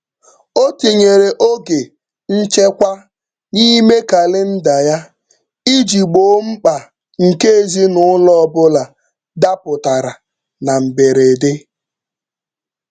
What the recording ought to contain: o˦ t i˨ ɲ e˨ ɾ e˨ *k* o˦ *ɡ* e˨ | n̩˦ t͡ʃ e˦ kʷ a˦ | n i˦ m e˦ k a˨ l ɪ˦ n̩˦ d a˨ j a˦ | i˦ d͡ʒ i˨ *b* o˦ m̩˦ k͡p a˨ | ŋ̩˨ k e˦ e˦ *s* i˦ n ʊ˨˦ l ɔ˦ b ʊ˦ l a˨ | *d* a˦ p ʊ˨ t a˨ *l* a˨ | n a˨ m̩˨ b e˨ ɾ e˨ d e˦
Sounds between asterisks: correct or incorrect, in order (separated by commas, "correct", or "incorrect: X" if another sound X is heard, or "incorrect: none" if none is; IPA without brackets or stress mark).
incorrect: ʔ, correct, incorrect: ɡ͡b, incorrect: z, correct, incorrect: ɾ